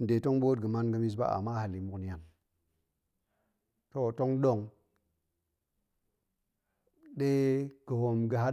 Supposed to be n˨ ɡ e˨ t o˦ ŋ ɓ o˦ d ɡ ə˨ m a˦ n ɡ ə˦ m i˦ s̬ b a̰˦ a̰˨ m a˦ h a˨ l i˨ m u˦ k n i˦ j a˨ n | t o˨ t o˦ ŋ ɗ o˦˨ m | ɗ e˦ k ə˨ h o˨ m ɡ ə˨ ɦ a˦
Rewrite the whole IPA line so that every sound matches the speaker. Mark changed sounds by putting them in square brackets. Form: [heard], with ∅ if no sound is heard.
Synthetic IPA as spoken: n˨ [d] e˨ t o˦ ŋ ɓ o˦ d ɡ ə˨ m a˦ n ɡ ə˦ m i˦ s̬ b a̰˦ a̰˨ m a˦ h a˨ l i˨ m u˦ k n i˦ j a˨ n | t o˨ t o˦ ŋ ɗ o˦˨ [ŋ] | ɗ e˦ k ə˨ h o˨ m ɡ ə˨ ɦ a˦